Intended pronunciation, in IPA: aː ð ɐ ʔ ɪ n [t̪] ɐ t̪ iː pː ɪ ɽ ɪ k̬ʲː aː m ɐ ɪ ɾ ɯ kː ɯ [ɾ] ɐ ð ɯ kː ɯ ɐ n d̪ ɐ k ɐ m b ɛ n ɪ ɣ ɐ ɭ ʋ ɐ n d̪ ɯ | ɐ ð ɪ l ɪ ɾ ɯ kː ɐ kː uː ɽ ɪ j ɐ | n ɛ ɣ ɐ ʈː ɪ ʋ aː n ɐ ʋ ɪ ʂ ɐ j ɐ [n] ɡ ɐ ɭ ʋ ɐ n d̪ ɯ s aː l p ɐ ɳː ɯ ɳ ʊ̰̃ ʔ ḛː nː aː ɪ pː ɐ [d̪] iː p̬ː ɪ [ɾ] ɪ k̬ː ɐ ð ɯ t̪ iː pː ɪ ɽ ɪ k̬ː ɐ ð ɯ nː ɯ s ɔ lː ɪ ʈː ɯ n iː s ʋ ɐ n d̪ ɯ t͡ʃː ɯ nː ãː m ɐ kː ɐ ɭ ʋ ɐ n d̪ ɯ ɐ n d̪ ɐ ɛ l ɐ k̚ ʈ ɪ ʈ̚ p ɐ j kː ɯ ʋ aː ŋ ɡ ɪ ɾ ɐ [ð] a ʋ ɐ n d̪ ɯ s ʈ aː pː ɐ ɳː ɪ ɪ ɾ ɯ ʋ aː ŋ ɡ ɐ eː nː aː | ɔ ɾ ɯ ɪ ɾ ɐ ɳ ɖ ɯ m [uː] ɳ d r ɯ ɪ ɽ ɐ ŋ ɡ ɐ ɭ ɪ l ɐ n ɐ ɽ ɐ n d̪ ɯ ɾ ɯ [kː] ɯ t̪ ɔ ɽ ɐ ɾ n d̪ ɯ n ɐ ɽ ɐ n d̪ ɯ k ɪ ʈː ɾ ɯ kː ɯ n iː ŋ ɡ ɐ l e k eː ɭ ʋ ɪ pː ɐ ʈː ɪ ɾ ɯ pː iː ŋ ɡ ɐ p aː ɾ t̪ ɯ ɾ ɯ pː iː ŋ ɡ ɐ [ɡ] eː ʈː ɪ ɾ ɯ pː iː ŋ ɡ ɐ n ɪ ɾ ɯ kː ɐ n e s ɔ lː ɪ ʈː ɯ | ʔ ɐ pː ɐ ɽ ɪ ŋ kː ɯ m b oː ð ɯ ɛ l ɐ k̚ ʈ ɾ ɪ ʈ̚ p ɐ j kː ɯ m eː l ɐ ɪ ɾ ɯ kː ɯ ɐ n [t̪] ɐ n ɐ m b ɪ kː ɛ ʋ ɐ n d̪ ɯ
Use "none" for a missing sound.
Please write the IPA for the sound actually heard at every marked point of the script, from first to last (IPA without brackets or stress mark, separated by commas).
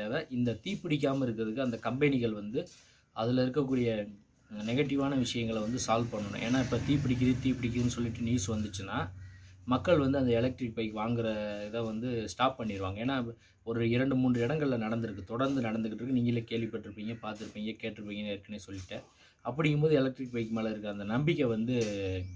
d̪, ɾ, ŋ, t̪, ɽ, ð, uː, kː, k, d̪